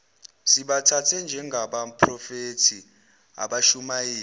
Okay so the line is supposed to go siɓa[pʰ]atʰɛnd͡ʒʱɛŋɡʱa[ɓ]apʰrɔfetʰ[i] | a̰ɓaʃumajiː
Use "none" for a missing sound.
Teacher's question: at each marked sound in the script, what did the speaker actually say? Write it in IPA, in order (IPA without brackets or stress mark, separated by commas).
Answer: tʰ, ɓ, i